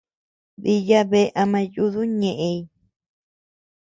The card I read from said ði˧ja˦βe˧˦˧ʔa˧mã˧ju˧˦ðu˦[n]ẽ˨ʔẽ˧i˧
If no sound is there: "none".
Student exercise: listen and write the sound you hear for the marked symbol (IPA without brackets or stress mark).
ɲ